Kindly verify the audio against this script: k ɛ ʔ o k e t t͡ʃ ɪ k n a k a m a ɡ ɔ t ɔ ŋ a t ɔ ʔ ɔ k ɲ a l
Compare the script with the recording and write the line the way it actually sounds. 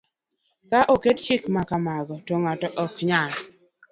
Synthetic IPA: k a ʔ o k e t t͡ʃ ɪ k m a k a m a ɡ ɔ t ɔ ŋ a t ɔ ʔ ɔ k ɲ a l